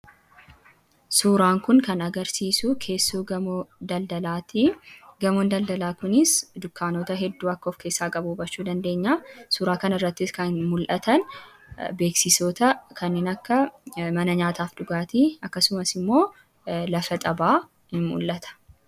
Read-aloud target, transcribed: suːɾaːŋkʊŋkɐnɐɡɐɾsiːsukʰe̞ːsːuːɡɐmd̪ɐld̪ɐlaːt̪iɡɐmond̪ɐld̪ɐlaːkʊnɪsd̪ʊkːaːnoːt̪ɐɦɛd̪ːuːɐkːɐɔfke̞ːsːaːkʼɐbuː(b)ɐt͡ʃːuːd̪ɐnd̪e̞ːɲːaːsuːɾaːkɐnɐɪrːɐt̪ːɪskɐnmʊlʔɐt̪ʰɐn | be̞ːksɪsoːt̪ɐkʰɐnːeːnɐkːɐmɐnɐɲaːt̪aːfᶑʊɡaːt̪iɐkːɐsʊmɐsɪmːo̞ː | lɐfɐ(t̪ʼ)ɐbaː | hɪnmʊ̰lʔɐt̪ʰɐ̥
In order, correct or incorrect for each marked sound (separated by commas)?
correct, correct